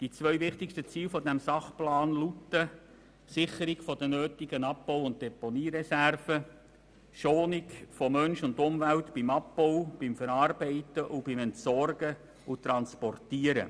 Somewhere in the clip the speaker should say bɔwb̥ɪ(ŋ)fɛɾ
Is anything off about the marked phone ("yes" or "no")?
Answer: yes